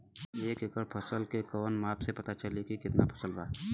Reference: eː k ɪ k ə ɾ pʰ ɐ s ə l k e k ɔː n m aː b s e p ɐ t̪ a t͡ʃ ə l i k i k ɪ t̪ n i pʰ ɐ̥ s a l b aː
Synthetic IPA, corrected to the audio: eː k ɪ k ə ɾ pʰ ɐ s ə l k e k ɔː n m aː p s e p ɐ t̪ a t͡ʃ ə l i k i k ɪ t̪ n a pʰ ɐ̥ s ə l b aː

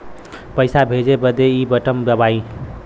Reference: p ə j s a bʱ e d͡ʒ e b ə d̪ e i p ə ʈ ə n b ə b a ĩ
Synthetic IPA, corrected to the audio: p ə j s a bʱ e d͡ʒ e b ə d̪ e i b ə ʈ ə m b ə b a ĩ

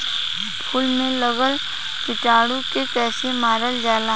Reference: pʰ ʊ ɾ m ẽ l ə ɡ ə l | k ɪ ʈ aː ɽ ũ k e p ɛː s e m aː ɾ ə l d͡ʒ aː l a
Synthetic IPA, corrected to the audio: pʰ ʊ l m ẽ l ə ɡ ə l | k ɪ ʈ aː ɽ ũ k e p ɛː s e m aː ɾ ə l d͡ʒ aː l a

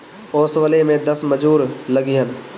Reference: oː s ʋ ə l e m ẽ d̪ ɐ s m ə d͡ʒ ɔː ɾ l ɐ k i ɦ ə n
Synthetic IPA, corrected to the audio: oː s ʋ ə l e m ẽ d̪ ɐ s m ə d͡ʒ uː ɾ l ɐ ɡ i ɦ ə n

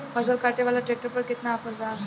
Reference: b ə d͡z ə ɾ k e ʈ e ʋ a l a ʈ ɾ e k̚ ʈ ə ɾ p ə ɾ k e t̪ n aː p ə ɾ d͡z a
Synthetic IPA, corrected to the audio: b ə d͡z ə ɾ k a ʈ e ʋ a l a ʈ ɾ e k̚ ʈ ə ɾ p ə ɾ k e t̪ n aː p ə ɾ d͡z a

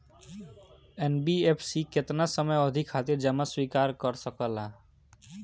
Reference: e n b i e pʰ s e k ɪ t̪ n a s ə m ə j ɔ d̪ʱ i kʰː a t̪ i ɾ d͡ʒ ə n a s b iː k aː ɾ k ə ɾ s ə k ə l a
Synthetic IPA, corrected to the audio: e n b i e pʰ s i k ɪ t̪ n a s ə m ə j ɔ d̪ʱ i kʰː a t̪ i ɾ d͡ʒ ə m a s w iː k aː ɾ k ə ɾ s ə k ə l a

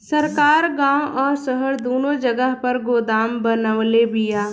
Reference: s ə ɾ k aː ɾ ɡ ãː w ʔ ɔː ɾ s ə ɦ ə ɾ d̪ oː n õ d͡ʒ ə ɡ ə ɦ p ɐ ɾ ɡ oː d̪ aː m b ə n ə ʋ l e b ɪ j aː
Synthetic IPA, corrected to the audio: s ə ɾ k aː ɾ ɡ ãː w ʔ ɔː ɾ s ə ɦ ə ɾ d̪ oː n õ d͡ʒ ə ɡ ə ɦ p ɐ ɾ ɡ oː d̪ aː m b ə n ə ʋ l e b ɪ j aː

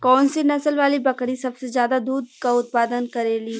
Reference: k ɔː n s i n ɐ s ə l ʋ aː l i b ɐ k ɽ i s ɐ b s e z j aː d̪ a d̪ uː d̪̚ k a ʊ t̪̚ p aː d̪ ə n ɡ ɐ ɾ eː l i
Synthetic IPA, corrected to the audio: k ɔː n s i n ɐ s ə l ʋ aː l i b ɐ k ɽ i s ɐ b s e z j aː d̪ a d̪ uː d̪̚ k a ʊ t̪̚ p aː d̪ ə n k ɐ ɾ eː l i

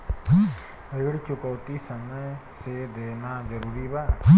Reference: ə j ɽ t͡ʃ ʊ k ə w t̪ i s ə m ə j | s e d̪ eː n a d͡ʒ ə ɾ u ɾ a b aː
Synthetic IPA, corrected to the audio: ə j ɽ t͡ʃ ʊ k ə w t̪ i s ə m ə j | s e d̪ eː n a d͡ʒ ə ɾ u ɾ i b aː

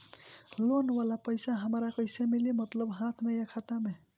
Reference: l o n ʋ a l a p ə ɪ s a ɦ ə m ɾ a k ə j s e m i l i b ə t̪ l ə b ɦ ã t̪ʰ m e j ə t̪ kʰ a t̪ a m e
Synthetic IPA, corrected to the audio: l o n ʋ a l a p ə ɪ s a ɦ ə m ɾ a k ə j s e m i l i m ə t̪ l ə b ɦ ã t̪ʰ m e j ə kʰ a t̪ a m e

